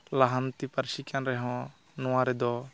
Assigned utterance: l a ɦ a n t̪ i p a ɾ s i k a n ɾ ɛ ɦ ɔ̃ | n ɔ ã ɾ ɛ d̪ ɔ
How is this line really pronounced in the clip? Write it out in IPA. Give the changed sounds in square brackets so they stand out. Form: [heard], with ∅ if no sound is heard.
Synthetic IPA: l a ɦ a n t̪ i p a ɾ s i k a n ɾ ɛ ɦ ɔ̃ | n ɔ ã ɾ ɛ d̪ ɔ